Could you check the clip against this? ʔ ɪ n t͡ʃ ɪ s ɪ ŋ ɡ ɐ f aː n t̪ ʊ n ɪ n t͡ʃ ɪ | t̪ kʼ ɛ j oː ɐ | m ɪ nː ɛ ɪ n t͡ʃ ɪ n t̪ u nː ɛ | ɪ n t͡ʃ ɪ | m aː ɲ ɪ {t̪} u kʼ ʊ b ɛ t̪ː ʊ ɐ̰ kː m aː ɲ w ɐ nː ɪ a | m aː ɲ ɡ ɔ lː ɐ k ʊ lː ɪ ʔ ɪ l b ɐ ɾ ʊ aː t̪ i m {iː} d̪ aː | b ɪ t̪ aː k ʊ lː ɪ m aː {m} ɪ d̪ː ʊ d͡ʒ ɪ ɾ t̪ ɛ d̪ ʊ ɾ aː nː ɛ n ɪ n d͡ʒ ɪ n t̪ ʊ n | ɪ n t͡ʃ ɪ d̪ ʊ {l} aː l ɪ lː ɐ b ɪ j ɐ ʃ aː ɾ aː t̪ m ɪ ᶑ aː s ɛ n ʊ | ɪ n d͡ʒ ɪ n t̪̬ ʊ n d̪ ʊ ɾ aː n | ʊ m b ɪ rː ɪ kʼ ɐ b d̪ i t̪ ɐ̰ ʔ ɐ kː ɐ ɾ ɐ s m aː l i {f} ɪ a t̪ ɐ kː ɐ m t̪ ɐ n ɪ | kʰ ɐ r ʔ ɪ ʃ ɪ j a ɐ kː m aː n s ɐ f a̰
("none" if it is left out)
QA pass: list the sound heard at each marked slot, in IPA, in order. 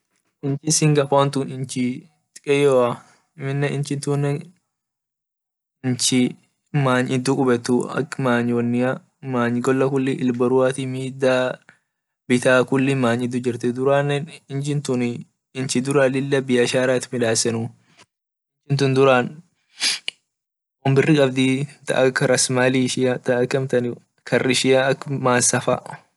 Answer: d̪, iː, ɲ, ɾ, ʃ

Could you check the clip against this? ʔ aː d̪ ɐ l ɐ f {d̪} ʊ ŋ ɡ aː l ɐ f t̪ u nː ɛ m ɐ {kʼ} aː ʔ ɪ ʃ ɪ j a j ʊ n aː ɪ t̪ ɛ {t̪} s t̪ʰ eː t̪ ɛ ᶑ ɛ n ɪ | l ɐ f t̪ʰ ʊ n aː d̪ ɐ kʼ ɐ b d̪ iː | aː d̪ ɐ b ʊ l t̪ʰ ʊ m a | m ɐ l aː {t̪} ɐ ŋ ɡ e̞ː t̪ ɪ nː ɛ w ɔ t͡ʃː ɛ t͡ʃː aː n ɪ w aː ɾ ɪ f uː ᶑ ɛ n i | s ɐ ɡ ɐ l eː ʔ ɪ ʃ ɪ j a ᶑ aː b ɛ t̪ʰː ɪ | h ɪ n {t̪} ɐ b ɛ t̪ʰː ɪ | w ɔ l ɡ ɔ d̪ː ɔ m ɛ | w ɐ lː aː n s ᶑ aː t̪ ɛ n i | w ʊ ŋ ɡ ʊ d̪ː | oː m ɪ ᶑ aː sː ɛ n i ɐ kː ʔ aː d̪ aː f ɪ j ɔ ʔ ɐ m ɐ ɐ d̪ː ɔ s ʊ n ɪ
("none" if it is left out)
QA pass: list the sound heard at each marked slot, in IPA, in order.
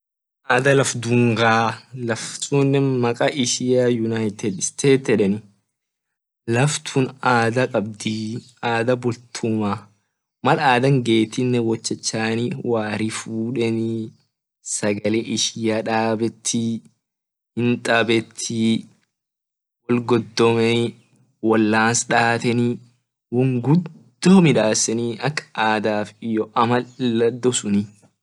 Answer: d̪, kʼ, d̪, d̪, t̪ʼ

